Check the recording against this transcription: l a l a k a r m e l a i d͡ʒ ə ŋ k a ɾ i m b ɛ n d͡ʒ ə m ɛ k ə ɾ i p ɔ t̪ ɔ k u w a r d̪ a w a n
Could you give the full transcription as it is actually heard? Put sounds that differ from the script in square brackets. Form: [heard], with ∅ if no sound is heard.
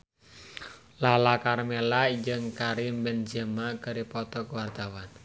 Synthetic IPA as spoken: l a l a k a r m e l a i d͡ʒ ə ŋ k a ɾ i m b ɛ n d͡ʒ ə m [a] k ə ɾ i p ɔ t̪ ɔ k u w a r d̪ a w a n